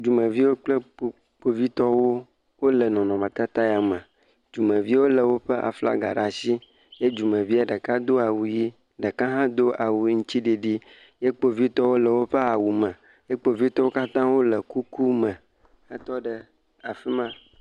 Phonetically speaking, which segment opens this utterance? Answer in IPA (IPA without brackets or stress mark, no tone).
d͡ʒ